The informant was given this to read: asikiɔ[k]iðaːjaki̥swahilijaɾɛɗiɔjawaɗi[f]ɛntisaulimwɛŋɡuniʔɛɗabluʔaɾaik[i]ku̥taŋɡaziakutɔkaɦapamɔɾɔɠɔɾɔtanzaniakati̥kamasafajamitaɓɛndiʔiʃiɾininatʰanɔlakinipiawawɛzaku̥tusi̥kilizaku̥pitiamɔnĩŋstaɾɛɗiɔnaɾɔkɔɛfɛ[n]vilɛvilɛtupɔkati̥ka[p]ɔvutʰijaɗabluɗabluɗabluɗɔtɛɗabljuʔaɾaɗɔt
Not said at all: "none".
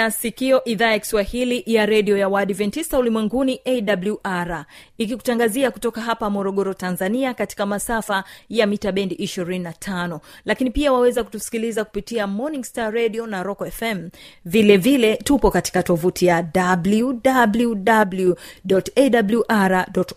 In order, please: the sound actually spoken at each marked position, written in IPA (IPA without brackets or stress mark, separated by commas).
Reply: ʔ, v, i, m, t